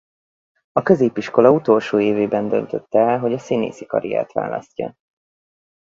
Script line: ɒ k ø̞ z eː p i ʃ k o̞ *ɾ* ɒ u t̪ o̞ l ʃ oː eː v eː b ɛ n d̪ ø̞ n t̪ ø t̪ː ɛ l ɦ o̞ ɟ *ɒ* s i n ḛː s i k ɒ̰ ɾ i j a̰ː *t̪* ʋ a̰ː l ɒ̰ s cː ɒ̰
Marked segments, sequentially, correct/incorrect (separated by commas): incorrect, correct, correct